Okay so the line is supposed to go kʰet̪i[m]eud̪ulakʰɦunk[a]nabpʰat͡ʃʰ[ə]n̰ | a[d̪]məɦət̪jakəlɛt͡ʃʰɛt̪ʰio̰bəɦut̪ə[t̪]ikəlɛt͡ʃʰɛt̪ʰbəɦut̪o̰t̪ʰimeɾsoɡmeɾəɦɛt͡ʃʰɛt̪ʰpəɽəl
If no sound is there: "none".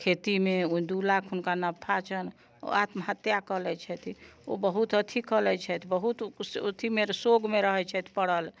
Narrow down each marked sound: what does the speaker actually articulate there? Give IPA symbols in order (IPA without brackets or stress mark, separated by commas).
m, a, ə, t̪, t̪ʰ